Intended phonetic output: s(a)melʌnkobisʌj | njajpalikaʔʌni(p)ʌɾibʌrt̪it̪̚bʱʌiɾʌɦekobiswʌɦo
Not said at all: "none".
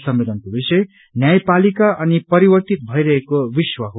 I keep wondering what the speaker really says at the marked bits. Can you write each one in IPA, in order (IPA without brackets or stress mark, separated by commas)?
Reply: ʌ, p